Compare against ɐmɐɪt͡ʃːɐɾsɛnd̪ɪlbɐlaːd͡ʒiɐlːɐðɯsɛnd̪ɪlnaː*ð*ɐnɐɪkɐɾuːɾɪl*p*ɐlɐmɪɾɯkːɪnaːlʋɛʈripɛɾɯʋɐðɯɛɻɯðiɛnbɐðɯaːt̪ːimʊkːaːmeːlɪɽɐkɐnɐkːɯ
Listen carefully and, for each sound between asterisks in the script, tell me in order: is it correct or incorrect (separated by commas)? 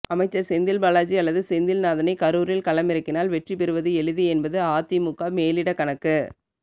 correct, incorrect